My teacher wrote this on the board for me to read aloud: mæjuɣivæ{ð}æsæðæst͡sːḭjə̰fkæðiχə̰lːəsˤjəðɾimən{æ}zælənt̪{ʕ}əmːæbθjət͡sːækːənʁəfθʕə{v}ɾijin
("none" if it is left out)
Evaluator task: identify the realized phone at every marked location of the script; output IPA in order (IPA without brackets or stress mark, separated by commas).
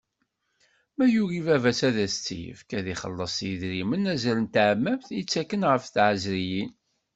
v, æ, ʕ, z